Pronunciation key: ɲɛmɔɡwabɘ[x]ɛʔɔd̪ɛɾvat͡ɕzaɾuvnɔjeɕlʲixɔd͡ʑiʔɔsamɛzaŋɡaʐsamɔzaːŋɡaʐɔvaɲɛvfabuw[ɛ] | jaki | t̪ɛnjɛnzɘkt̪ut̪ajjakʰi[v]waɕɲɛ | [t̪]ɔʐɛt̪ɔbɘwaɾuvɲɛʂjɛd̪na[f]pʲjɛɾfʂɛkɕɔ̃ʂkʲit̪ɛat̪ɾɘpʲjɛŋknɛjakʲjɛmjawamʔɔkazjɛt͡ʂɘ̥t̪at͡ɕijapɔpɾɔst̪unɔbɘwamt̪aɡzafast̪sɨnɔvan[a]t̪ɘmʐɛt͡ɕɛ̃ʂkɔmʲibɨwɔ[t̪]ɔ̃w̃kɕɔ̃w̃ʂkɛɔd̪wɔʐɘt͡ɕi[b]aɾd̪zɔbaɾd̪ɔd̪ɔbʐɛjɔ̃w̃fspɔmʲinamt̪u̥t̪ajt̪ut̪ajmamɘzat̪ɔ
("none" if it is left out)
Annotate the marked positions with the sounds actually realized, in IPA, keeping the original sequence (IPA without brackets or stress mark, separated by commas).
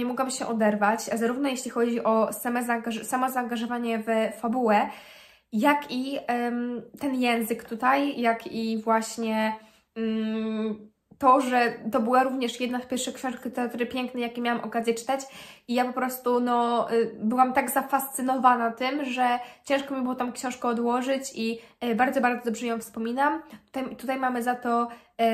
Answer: ɕ, ɛ, v, t̪, f, a, t̪, b